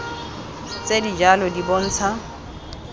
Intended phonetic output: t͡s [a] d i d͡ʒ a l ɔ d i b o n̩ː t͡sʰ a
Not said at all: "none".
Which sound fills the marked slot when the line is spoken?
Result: e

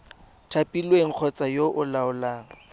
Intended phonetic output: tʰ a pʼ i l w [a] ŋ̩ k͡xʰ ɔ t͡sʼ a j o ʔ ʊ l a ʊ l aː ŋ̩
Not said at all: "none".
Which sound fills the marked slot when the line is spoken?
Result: e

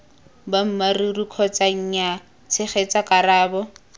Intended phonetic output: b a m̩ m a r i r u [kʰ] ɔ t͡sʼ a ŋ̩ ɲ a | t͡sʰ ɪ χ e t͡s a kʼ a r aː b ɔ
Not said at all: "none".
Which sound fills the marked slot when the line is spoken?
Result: kʰ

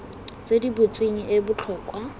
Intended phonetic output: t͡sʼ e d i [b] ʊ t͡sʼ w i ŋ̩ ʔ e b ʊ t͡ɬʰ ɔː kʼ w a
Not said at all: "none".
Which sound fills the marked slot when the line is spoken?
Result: b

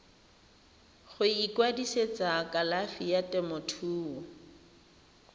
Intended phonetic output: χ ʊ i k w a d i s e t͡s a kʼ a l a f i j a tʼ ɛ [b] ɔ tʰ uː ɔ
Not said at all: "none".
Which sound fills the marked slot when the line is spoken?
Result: m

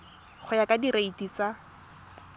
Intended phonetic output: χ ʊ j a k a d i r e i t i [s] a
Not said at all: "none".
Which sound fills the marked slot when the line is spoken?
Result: t͡s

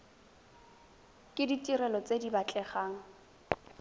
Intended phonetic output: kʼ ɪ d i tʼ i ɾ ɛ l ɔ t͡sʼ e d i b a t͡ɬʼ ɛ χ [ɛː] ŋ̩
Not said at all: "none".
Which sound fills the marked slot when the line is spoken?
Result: aː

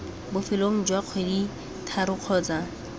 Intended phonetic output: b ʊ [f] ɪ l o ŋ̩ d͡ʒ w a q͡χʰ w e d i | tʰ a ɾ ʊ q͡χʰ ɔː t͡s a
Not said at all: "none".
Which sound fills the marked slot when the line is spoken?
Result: f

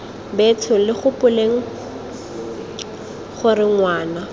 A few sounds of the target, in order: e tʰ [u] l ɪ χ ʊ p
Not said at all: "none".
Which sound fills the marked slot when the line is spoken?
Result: ʊ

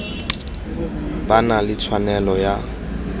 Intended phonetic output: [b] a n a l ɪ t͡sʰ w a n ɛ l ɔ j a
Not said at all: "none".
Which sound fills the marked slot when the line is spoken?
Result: b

